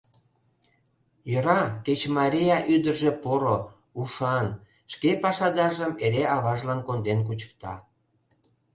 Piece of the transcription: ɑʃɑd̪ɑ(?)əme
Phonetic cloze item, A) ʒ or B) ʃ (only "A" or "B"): A